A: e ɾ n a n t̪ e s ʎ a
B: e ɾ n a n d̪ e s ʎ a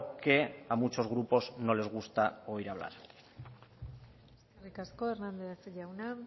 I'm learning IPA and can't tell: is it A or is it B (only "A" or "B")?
B